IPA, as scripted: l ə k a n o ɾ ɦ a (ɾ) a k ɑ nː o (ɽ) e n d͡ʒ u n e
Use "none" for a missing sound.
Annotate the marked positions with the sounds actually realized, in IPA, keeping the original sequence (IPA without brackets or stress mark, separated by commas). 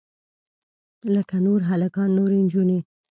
l, ɾ